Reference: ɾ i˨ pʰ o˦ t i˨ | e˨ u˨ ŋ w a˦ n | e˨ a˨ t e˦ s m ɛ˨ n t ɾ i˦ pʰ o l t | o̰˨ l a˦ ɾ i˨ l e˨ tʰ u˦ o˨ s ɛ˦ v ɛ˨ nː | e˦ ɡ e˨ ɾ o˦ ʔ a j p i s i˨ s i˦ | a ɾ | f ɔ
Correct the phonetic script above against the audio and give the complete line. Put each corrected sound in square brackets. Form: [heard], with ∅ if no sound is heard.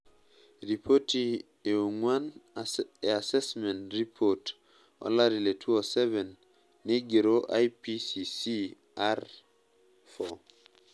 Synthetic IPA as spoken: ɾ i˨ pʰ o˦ t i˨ | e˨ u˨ ŋ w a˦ n | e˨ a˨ [s] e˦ s m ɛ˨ n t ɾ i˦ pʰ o [∅] t | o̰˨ l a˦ ɾ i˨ l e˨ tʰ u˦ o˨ s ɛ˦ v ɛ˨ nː | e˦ ɡ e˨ ɾ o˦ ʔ a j p i s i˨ s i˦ | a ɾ | f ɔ